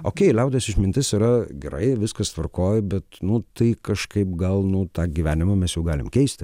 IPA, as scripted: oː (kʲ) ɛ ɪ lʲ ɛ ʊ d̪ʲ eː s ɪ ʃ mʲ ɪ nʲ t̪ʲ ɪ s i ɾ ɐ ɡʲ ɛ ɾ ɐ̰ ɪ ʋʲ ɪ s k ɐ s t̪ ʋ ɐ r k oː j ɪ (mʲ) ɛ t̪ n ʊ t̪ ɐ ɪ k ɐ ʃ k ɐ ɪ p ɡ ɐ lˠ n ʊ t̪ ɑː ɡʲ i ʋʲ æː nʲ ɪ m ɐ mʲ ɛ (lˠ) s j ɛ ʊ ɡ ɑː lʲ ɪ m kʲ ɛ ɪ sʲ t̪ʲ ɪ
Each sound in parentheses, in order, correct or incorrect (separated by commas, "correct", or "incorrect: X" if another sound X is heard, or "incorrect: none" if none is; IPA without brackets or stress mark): correct, incorrect: bʲ, incorrect: none